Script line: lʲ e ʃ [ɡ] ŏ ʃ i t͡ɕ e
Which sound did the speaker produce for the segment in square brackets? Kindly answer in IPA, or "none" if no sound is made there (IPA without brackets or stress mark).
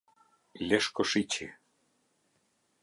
k